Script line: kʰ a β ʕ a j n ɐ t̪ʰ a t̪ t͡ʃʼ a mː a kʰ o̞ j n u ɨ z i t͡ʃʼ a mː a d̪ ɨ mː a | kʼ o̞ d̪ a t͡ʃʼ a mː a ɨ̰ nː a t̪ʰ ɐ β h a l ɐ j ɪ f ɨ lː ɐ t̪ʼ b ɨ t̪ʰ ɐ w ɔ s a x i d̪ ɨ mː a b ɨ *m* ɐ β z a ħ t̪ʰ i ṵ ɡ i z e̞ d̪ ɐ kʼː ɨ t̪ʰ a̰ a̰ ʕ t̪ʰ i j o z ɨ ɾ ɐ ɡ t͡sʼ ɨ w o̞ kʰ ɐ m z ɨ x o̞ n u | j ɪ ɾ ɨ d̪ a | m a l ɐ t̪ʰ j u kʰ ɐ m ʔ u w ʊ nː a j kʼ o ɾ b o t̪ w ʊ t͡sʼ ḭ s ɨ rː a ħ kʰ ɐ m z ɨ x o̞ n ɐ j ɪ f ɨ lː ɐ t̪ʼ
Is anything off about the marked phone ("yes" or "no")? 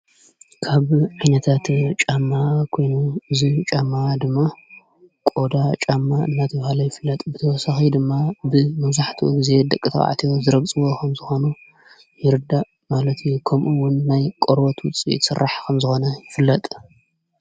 no